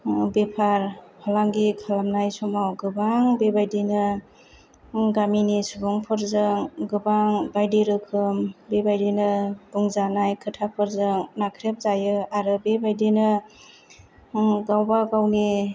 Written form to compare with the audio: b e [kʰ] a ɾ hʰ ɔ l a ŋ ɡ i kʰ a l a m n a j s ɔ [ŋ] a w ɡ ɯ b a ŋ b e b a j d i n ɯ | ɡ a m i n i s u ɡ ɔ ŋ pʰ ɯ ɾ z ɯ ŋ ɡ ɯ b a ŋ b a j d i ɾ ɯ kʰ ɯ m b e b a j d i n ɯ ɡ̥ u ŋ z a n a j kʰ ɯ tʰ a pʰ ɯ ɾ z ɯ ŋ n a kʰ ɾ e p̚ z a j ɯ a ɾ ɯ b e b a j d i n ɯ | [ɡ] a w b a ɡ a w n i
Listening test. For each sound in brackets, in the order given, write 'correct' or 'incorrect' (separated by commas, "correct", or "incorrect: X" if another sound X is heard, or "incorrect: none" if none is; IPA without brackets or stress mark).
incorrect: pʰ, incorrect: m, correct